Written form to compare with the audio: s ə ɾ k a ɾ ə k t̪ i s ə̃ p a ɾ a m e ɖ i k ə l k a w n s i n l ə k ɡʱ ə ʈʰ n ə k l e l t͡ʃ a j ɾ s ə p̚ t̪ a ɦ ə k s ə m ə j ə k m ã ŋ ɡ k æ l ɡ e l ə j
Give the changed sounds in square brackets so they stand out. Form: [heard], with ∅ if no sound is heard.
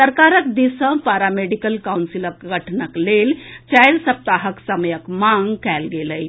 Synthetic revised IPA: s ə ɾ k a ɾ ə k [d̪] i s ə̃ p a ɾ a m e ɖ i k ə l k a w n s i [∅] l ə k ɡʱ ə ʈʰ n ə k l e l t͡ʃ a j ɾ s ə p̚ t̪ a ɦ ə k s ə m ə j ə k m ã ŋ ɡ k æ l ɡ e l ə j